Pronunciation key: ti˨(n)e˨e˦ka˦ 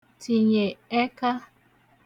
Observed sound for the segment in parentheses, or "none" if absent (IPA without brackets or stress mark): ɲ